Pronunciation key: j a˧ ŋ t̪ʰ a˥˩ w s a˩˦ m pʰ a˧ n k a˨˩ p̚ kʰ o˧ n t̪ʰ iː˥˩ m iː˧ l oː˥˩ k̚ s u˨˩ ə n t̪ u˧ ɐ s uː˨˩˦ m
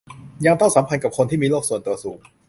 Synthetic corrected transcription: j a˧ ŋ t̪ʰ a˥˩ w s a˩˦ m pʰ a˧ n k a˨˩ p̚ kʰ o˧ n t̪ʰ iː˥˩ m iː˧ l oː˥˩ k̚ s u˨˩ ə n t̪ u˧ ɐ s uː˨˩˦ ŋ